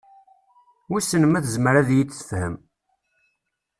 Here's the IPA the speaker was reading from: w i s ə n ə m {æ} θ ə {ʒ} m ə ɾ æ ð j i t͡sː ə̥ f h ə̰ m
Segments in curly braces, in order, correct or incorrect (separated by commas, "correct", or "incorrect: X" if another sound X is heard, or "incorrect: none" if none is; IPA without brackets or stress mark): correct, incorrect: z